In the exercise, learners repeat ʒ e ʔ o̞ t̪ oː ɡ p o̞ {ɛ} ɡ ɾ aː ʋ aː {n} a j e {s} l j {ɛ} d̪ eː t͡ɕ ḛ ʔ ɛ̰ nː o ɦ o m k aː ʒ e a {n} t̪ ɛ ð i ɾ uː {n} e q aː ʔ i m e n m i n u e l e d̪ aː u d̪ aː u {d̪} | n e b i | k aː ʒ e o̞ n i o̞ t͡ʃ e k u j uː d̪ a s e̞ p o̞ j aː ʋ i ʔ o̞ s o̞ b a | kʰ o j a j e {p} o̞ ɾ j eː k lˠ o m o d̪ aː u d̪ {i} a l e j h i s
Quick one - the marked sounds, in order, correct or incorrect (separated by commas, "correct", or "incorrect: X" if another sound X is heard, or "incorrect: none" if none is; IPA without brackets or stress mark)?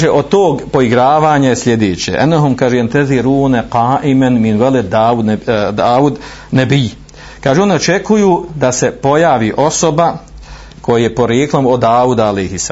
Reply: incorrect: i, incorrect: ɲ, correct, incorrect: e, correct, correct, correct, correct, incorrect: a